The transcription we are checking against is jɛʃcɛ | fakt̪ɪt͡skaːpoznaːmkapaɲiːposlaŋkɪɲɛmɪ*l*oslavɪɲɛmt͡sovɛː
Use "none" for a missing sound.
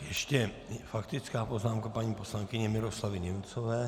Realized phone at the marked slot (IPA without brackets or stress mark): ɾ